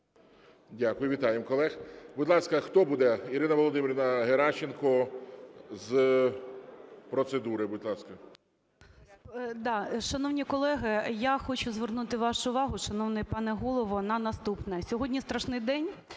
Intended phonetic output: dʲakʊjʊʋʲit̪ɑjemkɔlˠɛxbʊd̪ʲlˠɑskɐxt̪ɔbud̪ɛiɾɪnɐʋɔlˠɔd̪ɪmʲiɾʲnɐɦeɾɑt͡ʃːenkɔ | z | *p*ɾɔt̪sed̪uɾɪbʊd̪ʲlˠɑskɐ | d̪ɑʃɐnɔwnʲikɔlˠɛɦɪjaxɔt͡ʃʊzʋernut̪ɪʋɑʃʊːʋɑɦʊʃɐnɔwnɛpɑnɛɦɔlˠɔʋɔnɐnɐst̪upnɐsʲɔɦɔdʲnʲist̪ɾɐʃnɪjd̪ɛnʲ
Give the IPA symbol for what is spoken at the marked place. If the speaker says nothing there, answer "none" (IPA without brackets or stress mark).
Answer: p